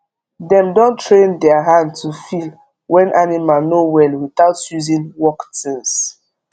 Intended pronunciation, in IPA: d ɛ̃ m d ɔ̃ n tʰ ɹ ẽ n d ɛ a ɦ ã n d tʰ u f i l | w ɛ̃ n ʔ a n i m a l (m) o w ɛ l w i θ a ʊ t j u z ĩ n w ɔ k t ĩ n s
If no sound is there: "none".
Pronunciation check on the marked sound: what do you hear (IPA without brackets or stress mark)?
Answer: n